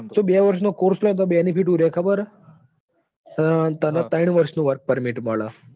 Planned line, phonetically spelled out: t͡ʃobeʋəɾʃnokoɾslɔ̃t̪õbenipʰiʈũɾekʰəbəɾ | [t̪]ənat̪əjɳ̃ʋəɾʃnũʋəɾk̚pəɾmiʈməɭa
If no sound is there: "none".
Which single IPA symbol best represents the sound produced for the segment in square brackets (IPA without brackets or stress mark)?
t̪